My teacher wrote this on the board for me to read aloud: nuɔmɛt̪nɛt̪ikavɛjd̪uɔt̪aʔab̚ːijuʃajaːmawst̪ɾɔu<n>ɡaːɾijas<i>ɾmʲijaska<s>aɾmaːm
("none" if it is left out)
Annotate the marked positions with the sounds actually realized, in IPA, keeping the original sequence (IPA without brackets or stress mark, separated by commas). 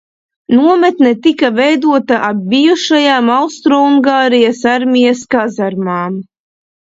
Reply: ŋ, a, z